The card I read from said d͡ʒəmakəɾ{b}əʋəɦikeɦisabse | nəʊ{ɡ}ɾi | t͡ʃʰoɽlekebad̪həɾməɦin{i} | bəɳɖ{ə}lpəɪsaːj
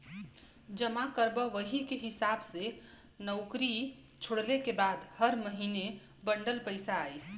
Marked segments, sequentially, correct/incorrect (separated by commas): correct, incorrect, incorrect, correct